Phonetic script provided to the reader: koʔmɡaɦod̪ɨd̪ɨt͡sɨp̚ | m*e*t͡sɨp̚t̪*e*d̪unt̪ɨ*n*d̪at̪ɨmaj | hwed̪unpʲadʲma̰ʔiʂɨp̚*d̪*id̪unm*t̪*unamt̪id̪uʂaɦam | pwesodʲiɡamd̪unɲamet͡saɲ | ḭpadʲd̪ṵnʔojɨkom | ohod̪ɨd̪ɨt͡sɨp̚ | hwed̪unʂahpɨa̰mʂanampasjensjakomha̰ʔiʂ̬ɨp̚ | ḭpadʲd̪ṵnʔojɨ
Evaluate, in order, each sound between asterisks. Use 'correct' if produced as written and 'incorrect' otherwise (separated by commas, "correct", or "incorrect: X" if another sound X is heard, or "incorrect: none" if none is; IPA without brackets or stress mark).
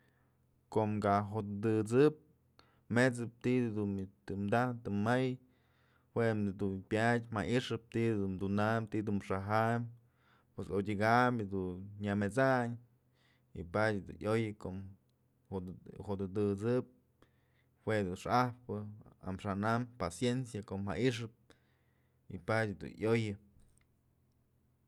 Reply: correct, incorrect: i, incorrect: m, incorrect: t̪, incorrect: d̪